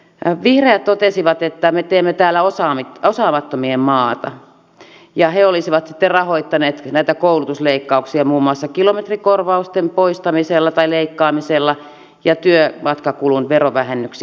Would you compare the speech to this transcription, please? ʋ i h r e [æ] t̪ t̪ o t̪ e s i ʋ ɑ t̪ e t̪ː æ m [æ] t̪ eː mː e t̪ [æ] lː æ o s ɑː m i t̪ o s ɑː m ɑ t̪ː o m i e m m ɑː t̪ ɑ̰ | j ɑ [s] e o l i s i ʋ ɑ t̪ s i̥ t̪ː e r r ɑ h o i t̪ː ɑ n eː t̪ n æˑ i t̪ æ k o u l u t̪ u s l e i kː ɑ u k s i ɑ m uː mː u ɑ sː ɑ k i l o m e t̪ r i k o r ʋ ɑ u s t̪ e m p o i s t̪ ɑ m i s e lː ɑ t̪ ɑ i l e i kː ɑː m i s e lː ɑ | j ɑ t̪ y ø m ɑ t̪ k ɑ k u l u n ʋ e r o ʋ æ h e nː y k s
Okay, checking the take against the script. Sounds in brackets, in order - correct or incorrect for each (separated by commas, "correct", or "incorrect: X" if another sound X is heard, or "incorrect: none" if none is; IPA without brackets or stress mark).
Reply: correct, incorrect: e, incorrect: æː, incorrect: h